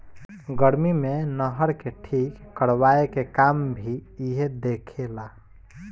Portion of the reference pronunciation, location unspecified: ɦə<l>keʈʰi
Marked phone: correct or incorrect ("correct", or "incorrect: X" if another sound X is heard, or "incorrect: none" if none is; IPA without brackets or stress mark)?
incorrect: ɾ